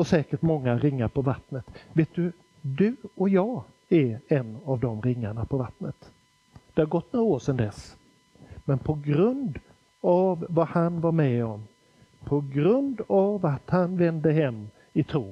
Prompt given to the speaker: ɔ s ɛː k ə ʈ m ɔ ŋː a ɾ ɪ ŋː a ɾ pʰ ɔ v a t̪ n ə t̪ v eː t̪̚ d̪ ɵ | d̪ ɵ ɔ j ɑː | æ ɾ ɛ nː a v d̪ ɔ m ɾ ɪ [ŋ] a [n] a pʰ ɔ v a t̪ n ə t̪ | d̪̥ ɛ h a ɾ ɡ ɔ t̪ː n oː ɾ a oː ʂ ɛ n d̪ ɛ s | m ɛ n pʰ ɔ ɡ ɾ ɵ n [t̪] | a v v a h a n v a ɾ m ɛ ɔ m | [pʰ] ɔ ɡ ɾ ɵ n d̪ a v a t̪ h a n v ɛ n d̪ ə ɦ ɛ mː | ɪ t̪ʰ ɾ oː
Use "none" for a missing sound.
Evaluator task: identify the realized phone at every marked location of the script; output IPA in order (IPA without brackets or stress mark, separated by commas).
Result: ŋː, ɳ, d̪, pʰ